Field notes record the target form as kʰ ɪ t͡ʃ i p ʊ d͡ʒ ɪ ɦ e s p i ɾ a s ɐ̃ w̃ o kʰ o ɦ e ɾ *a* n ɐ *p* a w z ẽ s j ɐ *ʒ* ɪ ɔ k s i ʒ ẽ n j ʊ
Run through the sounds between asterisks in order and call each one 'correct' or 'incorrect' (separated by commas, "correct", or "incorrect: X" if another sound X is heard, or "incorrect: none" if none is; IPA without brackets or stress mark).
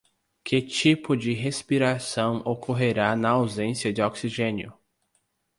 correct, incorrect: none, incorrect: d͡ʒ